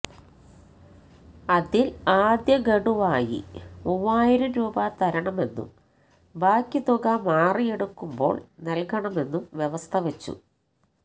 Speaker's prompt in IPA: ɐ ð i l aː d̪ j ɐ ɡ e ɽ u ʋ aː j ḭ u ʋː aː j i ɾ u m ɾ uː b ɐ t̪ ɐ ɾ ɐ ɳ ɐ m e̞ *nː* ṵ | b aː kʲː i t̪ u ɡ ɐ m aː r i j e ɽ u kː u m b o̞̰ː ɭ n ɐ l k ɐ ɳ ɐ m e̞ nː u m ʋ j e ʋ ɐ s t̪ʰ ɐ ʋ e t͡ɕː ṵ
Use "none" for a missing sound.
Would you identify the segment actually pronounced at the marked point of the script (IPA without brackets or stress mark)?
nː